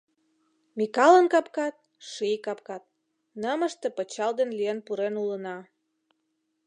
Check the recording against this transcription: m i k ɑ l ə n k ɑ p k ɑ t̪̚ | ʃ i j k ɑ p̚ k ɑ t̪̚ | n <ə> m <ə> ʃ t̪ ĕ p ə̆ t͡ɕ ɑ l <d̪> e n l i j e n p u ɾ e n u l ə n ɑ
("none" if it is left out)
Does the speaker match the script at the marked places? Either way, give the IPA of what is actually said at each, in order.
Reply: ə, ə, d̪

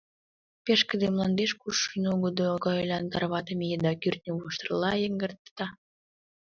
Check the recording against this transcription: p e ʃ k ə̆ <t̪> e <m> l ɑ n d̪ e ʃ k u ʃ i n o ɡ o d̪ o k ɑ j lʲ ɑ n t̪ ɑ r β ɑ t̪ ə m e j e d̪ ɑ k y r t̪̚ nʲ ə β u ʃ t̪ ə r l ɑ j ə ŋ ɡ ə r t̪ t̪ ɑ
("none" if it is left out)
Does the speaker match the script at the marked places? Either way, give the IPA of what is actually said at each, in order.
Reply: d̪, m

